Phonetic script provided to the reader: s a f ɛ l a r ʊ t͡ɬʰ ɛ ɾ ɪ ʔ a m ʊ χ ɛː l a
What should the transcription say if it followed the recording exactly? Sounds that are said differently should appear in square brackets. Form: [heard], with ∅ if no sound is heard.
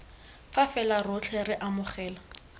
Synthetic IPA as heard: [f] a f ɛ l a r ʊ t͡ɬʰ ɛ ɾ ɪ ʔ a m ʊ χ ɛː l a